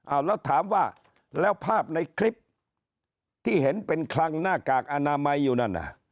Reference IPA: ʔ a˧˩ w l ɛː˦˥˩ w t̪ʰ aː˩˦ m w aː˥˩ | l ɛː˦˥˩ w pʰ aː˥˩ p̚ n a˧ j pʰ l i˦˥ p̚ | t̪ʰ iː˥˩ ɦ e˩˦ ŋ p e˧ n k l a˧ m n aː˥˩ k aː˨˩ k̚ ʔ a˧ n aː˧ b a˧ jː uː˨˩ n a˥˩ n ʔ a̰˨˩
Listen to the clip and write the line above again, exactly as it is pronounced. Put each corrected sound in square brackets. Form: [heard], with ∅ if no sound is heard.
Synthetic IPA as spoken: ʔ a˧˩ w l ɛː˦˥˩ w t̪ʰ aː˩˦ m w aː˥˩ | l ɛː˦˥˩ w pʰ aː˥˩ p̚ n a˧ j [kʰ] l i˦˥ p̚ | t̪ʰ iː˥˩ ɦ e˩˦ [n] p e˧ n [kʰ] l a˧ [ŋ] n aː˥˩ k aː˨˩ k̚ ʔ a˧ n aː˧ [m] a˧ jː uː˨˩ n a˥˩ n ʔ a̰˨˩